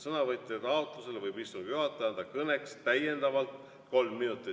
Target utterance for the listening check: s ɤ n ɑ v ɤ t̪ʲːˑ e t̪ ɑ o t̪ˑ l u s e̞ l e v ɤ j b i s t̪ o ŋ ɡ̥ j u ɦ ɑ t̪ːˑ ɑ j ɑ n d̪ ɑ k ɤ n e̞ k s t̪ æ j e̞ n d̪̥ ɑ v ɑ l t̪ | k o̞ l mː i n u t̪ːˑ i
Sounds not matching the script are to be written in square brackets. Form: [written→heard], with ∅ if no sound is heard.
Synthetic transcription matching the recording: s ɤ n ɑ v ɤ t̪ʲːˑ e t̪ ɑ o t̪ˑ l u s e̞ l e v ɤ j b i s t̪ [o→u] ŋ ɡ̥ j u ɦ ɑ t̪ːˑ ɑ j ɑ n d̪ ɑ k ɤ n e̞ k s t̪ æ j e̞ n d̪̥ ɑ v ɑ l t̪ | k o̞ l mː i n u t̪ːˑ i

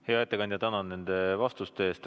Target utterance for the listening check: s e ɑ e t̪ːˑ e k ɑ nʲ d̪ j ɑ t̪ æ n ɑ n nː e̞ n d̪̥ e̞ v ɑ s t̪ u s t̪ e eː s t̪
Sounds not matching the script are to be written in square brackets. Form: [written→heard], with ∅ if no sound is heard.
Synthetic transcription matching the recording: [s→h] e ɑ e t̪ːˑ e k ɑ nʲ d̪ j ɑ t̪ æ n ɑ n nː e̞ n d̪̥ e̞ v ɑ s t̪ u s t̪ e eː s t̪

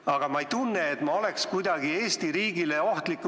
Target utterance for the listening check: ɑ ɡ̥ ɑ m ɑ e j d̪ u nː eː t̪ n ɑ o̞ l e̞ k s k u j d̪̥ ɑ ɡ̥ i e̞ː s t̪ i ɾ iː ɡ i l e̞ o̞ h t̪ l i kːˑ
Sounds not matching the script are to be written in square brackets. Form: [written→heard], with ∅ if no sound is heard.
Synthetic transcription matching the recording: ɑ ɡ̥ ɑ m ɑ e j [d̪→t̪] u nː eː t̪ [n→m] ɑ o̞ l e̞ k s k u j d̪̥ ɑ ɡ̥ i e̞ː s t̪ i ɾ iː ɡ i l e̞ o̞ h t̪ l i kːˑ

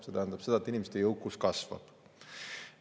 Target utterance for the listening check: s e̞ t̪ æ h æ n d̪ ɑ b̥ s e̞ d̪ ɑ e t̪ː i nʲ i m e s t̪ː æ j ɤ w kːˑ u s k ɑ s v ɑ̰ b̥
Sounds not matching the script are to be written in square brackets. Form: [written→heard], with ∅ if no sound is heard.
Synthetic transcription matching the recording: s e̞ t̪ æ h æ n d̪ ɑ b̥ s e̞ d̪ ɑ e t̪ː i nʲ i m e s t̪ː [æ→e] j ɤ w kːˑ u s k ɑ s v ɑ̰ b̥

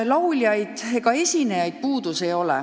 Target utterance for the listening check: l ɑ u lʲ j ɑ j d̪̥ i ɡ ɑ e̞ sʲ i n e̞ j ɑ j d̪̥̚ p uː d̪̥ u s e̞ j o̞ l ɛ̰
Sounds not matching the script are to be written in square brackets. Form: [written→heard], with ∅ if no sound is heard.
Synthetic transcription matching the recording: l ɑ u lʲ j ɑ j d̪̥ [i→e] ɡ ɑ e̞ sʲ i n e̞ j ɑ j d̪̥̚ p uː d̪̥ u s e̞ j o̞ l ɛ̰

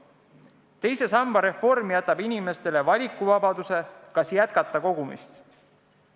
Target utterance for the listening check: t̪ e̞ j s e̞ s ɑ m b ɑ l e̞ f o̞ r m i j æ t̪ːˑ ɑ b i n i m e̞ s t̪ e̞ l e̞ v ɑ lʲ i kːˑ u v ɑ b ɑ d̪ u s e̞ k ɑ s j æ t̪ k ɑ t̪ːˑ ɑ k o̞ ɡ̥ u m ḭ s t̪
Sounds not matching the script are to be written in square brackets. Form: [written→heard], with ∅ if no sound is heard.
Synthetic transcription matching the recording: t̪ e̞ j s e̞ s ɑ m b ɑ [l→ɾ] e̞ f o̞ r m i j æ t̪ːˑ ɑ b i n i m e̞ s t̪ e̞ l e̞ v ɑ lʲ i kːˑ u v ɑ b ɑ d̪ u s e̞ k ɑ s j æ t̪ k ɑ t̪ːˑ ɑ k o̞ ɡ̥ u m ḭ s t̪

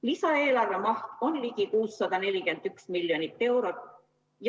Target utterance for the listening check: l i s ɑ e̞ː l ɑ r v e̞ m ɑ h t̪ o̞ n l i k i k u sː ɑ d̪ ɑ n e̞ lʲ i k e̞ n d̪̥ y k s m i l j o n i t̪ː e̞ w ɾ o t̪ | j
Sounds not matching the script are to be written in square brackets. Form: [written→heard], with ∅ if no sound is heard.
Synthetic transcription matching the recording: l i s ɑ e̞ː l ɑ r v e̞ m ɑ h t̪ o̞ n l i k i k [u→uː] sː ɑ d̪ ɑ n e̞ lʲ i k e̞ n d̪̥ y k s m i l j o n i t̪ː e̞ w ɾ o t̪ | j

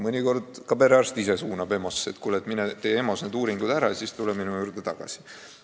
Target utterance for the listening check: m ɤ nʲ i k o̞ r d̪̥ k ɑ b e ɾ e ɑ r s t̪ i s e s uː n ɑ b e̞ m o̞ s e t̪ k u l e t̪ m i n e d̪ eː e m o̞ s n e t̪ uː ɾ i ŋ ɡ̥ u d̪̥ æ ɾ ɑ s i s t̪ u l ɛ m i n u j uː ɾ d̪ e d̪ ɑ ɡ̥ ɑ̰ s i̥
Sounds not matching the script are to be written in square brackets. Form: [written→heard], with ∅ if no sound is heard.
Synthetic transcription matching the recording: m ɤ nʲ i k o̞ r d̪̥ k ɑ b e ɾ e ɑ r s t̪ i s e s uː n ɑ b e̞ m o̞ s e t̪ k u l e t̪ m i n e [d̪→t̪] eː e m o̞ s n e [t̪→d̪] uː ɾ i ŋ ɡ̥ u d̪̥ æ ɾ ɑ s i s t̪ u l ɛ m i n u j uː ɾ d̪ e [d̪→t̪] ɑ ɡ̥ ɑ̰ s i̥

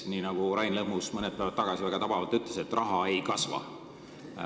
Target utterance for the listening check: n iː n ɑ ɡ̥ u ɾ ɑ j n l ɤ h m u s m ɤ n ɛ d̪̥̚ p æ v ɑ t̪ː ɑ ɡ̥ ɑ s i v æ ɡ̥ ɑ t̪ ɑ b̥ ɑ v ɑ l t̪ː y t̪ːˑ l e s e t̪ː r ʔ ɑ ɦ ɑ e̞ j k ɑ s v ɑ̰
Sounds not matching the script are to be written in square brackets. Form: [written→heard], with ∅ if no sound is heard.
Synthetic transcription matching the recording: n iː n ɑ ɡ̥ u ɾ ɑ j n l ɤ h m u s m ɤ n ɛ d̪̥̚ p æ v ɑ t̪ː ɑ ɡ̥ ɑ s i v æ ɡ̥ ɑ t̪ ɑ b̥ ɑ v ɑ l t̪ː y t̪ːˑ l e s e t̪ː r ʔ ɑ ɦ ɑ e̞ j k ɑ s v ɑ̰

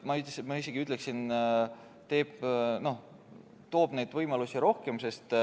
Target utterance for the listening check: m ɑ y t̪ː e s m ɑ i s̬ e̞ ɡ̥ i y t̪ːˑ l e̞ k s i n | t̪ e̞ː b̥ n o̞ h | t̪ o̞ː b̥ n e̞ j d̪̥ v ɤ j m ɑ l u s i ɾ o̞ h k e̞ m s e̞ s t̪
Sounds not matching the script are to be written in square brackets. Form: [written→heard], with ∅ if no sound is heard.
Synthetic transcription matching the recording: m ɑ y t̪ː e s m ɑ i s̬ e̞ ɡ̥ i y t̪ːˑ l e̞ k s i n | t̪ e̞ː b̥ n o̞ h | t̪ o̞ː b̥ n e̞ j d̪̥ v ɤ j m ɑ l u s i ɾ o̞ h k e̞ m s e̞ s t̪

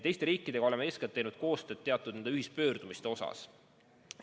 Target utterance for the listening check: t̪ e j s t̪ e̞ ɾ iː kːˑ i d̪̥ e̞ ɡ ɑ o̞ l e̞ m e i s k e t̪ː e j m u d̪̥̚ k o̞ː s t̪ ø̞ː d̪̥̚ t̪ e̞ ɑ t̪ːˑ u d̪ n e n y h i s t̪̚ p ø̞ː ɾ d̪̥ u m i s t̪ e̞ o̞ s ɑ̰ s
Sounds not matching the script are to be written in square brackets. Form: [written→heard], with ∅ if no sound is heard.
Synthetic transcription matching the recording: t̪ e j s t̪ e̞ ɾ iː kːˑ i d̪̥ e̞ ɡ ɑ o̞ l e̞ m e [i→e] s k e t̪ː e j [m→n] u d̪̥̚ k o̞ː s t̪ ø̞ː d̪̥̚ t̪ e̞ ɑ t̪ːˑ u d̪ n e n y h i s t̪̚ p ø̞ː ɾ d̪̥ u m i s t̪ e̞ o̞ s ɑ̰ s

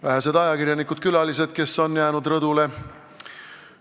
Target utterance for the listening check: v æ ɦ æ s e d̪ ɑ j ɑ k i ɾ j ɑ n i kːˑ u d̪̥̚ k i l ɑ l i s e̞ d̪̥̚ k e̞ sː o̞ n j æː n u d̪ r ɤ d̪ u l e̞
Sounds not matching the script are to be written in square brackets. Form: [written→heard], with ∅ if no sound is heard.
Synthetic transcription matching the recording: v æ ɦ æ s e d̪ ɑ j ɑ k i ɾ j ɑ n i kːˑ u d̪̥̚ k [i→y] l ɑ l i s e̞ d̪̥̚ k e̞ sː o̞ n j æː n u d̪ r ɤ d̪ u l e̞

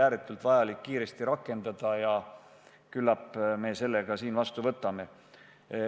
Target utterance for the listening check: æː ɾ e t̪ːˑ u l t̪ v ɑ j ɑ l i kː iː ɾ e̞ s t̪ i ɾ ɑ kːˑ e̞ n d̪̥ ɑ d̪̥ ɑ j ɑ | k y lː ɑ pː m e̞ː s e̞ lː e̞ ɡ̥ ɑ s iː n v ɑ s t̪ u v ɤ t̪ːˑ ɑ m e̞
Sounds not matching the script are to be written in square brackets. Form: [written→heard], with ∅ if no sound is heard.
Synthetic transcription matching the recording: æː ɾ e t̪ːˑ u l t̪ v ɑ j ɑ l i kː iː ɾ e̞ s t̪ i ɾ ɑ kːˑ e̞ n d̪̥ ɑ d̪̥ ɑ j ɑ | k y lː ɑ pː m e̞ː s e̞ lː e̞ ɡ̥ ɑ s iː n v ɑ s t̪ u v ɤ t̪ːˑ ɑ m e̞

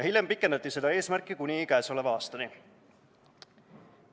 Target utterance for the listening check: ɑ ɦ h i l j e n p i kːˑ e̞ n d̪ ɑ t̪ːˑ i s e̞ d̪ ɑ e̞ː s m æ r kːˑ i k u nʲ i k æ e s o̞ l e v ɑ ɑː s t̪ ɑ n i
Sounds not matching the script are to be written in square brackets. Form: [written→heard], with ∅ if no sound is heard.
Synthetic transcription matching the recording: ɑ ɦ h i l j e [n→m] p i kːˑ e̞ n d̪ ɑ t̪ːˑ i s e̞ d̪ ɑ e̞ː s m æ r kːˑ i k u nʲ i k æ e s o̞ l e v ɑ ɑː s t̪ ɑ n i

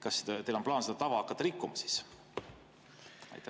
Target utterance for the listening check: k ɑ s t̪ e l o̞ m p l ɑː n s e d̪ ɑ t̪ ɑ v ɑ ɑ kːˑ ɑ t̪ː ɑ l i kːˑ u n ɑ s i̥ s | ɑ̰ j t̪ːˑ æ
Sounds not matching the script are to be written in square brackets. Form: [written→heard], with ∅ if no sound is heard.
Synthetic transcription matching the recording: k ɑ s t̪ e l o̞ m p l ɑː n s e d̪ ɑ t̪ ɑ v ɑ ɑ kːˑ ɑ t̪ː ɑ [l→ɾ] i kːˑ u [n→m] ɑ s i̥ s | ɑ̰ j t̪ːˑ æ

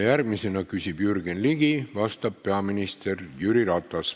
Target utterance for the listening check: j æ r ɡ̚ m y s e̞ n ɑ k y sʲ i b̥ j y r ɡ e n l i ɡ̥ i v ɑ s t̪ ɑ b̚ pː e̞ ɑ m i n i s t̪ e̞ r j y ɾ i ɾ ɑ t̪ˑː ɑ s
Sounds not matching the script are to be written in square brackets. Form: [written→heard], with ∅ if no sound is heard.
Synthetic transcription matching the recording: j æ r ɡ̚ m [y→i] s e̞ n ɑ k y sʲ i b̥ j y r ɡ e n l i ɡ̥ i v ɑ s t̪ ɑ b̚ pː e̞ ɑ m i n i s t̪ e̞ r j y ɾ i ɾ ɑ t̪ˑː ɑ s

